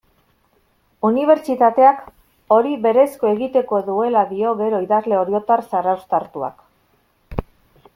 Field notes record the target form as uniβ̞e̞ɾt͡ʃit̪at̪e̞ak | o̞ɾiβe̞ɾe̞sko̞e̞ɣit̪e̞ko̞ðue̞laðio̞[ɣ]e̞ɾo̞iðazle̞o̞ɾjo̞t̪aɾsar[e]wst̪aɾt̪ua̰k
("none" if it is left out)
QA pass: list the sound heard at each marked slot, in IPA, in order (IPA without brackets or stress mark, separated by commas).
ɣ, a